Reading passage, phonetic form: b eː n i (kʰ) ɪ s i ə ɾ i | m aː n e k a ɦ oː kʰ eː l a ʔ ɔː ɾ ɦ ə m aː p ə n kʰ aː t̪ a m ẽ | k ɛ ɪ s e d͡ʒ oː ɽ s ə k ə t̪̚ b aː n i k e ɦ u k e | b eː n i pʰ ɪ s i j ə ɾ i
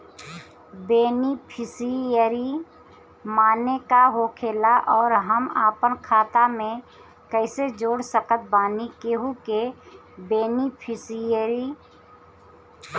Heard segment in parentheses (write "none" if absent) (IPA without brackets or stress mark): pʰ